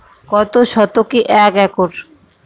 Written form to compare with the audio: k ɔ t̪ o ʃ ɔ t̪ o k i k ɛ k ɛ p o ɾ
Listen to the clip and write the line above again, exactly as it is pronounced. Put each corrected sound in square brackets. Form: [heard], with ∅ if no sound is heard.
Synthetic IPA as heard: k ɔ t̪ o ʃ ɔ t̪ o k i [ʔ] ɛ k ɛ [k] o ɾ